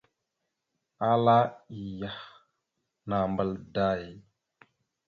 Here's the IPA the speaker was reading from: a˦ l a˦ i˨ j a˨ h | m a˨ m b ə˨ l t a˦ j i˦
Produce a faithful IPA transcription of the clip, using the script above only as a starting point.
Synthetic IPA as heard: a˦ l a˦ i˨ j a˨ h | n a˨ m b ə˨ l d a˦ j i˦